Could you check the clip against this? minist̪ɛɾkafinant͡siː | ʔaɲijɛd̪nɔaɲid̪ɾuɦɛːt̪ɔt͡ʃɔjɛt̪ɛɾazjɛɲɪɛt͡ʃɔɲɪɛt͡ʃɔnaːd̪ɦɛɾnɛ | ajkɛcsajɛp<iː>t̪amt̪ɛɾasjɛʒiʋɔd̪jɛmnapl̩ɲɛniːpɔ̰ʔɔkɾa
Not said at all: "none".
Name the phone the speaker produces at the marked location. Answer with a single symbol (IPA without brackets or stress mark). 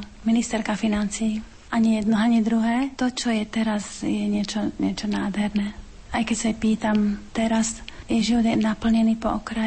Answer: iː